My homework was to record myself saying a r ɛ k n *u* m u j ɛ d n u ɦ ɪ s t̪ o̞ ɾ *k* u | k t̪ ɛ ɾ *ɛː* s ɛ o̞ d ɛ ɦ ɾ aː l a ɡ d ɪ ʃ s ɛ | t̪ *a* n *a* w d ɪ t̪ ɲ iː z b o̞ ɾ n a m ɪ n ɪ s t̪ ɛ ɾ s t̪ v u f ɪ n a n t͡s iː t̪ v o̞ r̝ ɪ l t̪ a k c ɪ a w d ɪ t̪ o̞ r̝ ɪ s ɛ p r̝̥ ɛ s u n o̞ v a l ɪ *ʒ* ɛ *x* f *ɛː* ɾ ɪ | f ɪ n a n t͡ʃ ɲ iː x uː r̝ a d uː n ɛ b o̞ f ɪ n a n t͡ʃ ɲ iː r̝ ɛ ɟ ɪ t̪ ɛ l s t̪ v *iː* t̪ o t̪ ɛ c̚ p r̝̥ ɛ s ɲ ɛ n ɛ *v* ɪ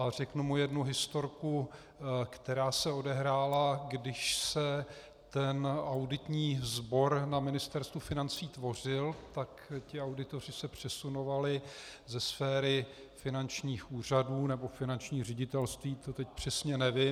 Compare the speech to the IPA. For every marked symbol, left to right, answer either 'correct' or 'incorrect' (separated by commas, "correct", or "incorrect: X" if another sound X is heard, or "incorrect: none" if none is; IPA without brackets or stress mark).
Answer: correct, correct, incorrect: aː, incorrect: ɛ, correct, incorrect: z, incorrect: s, correct, correct, correct